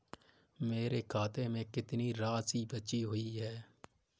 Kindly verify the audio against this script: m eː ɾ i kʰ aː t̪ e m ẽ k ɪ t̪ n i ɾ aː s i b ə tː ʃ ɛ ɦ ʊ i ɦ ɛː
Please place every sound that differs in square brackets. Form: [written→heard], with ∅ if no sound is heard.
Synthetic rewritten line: m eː ɾ [i→e] kʰ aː t̪ e m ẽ k ɪ t̪ n i ɾ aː s i b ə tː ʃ [ɛ→i] ɦ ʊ i ɦ ɛː